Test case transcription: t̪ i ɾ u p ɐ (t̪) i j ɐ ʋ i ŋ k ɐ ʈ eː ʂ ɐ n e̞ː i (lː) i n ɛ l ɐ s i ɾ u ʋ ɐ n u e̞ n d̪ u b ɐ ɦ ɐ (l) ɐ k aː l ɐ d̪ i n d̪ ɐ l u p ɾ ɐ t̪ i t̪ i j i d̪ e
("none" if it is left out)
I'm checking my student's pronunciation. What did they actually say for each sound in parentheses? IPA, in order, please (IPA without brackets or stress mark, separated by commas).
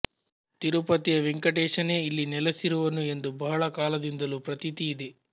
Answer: t̪, lː, ɭ